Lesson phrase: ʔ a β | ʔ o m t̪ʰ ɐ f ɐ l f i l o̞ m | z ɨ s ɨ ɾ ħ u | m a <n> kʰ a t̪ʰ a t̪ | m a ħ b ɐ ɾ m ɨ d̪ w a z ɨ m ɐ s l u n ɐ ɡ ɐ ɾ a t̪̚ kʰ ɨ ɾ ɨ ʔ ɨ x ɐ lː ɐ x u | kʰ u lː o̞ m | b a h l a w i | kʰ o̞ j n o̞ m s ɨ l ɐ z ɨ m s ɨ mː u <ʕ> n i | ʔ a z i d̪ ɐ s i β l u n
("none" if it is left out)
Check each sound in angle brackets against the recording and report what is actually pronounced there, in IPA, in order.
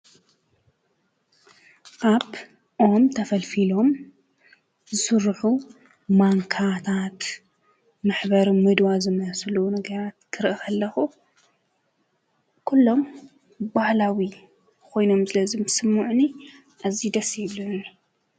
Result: ŋ, ʕ

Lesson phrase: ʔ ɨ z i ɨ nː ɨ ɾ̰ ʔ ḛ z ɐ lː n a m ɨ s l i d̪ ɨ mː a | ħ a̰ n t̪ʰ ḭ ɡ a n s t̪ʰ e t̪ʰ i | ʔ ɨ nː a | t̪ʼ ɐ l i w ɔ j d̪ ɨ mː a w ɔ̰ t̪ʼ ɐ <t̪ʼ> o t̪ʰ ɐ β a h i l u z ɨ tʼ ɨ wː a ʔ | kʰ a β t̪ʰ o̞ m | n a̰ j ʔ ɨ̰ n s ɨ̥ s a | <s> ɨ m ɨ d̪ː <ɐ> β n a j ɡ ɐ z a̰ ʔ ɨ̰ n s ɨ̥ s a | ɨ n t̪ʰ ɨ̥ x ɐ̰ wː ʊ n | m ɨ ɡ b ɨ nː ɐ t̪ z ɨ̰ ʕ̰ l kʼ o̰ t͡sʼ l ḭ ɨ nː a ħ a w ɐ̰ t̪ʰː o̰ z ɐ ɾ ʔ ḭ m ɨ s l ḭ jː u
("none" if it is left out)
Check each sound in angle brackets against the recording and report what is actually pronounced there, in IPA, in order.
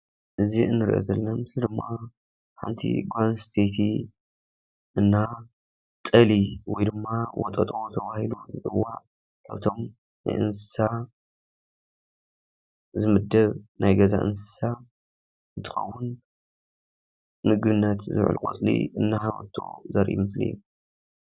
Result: t̪ʼ, z, ɐ

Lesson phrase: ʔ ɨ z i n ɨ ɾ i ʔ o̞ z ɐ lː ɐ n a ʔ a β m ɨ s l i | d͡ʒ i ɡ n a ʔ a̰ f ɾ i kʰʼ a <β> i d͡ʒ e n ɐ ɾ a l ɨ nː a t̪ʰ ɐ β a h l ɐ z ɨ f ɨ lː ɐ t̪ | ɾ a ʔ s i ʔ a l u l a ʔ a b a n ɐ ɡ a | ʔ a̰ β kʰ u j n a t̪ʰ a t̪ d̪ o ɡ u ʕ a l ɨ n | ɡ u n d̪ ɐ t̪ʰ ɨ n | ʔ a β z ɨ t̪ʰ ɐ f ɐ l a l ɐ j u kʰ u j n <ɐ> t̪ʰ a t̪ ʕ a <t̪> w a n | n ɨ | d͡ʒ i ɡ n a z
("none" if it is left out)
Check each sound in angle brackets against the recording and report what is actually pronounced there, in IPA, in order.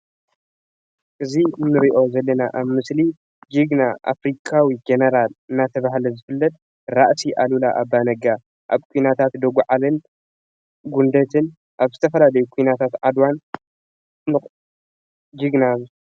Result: w, a, d̪

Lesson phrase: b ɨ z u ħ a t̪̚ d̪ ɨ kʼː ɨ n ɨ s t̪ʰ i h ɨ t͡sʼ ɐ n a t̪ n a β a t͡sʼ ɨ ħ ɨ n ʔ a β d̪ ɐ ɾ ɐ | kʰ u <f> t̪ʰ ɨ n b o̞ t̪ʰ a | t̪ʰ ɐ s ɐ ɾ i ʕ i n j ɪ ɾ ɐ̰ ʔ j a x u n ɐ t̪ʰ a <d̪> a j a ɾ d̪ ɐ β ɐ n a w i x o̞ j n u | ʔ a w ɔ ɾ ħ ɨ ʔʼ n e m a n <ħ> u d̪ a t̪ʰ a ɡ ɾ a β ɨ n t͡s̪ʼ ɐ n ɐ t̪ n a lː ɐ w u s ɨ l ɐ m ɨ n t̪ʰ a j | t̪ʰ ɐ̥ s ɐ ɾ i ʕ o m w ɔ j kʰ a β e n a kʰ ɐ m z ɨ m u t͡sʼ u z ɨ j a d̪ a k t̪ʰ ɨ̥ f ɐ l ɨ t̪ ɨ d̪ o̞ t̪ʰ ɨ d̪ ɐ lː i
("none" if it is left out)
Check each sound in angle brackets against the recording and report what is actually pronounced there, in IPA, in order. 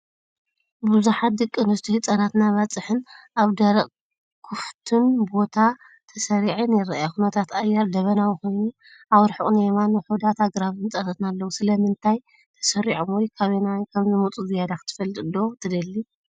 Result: f, t̪, ħ

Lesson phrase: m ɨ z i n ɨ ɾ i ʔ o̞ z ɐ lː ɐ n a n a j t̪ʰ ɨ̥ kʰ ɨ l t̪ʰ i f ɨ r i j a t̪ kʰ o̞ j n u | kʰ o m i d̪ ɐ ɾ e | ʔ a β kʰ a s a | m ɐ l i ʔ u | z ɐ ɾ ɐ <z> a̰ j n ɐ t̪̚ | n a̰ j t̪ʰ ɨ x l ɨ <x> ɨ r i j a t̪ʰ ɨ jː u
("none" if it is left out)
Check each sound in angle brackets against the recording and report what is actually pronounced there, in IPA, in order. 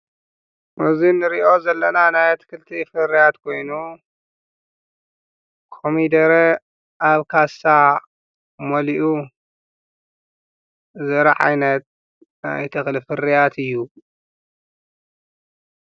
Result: ʕ, f

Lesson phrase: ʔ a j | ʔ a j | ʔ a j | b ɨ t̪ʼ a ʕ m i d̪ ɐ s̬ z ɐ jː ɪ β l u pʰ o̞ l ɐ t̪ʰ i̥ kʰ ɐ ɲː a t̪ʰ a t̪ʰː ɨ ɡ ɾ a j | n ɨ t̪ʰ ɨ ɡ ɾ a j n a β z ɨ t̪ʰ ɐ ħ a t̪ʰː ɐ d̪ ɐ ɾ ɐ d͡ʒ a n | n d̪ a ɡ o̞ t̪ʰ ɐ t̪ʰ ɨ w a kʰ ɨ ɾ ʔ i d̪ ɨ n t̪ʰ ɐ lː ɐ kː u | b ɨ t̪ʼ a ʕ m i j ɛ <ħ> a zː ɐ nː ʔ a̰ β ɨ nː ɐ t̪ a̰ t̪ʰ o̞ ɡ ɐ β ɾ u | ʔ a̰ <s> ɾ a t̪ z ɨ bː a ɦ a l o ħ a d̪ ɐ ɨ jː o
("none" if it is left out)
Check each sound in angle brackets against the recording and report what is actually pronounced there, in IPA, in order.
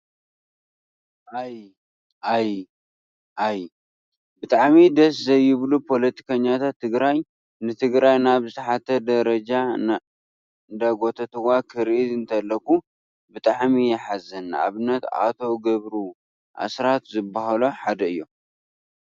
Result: ħ, s

